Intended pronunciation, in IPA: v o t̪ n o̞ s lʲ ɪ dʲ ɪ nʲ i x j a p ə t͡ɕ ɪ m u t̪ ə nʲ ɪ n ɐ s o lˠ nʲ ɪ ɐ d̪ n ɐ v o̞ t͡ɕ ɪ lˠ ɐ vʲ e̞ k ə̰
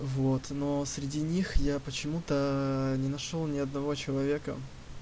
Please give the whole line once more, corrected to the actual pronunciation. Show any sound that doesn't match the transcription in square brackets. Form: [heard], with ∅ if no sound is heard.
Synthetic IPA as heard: v o t̪ n o̞ s [ɾʲ] ɪ dʲ [i] nʲ i x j a p ə t͡ɕ ɪ m u t̪ ə nʲ ɪ n ɐ [ʂ] o lˠ nʲ ɪ ɐ d̪ n ɐ v o̞ t͡ɕ ɪ lˠ ɐ vʲ e̞ k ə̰